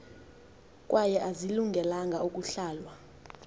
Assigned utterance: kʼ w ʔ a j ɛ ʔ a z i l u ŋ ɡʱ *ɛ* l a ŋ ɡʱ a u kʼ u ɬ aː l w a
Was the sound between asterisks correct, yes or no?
yes